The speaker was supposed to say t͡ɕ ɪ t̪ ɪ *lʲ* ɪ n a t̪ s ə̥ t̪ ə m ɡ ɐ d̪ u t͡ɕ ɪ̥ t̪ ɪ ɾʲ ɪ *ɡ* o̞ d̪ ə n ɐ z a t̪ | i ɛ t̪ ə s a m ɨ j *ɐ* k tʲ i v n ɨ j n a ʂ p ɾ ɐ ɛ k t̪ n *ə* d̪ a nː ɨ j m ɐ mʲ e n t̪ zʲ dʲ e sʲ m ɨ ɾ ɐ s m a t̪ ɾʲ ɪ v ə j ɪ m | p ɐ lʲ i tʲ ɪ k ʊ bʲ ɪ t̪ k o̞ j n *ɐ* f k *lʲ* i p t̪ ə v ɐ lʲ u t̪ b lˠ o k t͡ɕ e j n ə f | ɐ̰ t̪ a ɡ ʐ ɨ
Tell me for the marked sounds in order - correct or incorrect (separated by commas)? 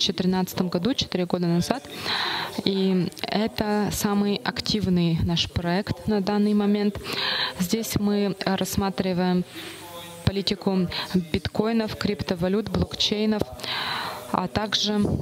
incorrect, correct, correct, incorrect, incorrect, incorrect